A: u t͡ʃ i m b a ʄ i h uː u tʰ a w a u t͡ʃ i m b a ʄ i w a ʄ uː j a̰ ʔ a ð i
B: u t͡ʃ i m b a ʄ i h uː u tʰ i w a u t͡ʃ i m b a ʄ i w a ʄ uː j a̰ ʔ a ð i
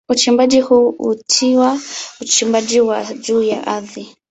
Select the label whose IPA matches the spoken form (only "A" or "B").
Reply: B